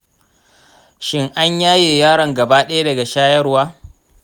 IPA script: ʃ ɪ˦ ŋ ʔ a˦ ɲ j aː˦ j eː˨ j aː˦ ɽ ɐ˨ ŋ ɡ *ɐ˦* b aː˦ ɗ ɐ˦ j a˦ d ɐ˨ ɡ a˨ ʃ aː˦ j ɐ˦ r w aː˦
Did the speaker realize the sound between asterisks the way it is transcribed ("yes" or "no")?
no